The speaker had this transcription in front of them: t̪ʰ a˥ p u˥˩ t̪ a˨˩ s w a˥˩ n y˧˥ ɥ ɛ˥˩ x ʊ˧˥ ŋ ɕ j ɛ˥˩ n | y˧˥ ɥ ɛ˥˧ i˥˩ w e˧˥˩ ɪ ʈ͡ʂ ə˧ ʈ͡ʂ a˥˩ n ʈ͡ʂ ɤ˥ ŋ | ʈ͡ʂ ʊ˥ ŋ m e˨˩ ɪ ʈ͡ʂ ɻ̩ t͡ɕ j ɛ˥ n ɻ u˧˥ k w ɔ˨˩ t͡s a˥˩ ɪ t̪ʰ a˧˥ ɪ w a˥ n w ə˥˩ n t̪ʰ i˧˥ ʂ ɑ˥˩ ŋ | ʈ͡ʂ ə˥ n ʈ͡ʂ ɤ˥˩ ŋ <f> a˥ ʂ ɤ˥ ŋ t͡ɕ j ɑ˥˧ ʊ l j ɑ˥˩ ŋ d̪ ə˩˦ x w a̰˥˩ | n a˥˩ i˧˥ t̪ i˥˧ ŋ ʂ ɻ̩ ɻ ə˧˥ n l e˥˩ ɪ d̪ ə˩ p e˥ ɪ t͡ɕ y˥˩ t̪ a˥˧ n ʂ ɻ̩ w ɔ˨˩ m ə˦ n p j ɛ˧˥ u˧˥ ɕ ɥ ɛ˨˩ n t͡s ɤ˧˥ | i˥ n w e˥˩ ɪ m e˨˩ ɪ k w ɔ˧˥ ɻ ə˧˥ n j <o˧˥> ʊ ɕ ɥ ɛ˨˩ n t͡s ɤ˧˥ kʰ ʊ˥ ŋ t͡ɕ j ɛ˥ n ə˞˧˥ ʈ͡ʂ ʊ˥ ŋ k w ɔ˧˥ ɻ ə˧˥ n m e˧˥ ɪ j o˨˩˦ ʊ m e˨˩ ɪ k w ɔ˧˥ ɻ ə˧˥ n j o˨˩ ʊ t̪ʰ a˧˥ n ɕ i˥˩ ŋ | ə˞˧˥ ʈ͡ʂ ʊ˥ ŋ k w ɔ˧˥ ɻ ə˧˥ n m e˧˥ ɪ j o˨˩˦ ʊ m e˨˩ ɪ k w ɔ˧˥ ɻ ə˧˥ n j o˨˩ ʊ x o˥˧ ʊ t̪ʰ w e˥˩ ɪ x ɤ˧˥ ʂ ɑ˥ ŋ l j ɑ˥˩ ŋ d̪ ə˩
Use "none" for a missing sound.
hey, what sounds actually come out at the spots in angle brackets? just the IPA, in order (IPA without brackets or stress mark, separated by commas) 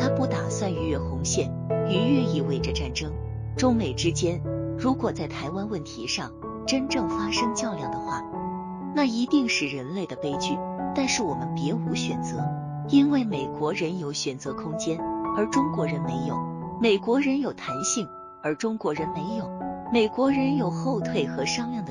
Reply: f, o˧˥